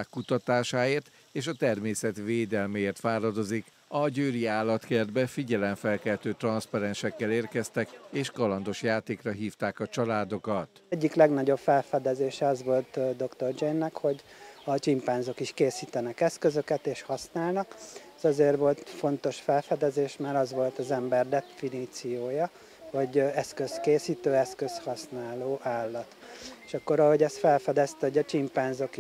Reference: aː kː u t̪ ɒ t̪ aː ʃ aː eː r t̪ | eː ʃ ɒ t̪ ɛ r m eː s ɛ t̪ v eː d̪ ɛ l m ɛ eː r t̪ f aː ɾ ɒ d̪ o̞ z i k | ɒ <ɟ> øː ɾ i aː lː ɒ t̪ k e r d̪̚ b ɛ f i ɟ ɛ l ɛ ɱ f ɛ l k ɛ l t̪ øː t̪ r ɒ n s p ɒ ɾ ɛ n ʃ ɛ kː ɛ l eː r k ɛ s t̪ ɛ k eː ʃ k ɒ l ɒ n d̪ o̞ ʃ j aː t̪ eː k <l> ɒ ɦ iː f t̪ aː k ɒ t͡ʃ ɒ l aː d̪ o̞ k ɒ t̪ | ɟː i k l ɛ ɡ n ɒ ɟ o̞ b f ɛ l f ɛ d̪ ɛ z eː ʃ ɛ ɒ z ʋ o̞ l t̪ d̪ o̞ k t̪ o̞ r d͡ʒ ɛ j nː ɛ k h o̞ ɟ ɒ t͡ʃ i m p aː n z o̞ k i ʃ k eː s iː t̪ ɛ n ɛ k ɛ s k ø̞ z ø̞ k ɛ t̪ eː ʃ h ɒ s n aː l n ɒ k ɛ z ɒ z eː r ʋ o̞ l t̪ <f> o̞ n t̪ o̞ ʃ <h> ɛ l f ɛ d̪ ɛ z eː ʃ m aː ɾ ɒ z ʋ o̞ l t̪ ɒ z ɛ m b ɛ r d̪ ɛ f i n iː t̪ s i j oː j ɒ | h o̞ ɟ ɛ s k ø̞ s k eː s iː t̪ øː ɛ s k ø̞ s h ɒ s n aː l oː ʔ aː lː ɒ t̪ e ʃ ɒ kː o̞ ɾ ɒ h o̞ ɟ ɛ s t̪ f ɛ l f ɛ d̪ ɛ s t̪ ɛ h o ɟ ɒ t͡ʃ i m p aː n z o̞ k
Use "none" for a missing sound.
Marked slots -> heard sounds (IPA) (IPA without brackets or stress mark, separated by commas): ɟ, r, f, f